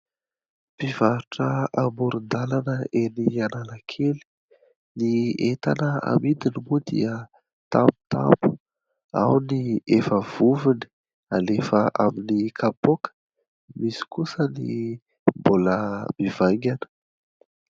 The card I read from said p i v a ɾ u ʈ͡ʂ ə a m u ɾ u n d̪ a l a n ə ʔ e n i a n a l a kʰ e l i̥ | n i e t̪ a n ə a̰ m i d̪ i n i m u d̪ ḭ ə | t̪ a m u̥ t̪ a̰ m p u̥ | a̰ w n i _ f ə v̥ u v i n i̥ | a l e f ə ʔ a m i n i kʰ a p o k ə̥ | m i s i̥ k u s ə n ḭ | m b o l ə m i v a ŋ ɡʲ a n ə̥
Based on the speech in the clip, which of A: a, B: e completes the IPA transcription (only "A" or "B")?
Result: B